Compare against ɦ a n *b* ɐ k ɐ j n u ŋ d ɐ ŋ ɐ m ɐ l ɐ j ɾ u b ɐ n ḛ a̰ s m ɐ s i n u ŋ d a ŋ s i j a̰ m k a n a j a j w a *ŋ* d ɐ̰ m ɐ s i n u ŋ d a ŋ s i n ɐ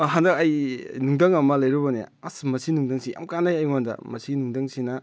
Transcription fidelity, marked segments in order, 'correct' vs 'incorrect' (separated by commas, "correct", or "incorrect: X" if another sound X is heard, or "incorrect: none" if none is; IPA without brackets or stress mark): incorrect: d, incorrect: n